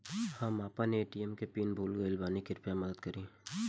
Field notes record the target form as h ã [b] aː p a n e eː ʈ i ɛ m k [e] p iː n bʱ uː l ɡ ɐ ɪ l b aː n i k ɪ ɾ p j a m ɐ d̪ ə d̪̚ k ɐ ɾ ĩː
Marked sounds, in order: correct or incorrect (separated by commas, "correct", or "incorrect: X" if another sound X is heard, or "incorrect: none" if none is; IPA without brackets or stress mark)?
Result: incorrect: m, correct